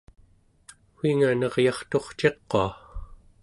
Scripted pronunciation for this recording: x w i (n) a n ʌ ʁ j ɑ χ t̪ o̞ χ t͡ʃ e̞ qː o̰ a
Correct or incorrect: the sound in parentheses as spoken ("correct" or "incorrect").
incorrect